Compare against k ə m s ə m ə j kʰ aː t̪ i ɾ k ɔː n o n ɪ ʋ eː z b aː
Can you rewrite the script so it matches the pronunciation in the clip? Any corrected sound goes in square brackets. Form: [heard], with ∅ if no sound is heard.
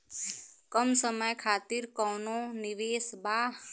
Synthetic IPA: k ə m s ə m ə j kʰ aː t̪ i ɾ k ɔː n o n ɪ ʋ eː [s] b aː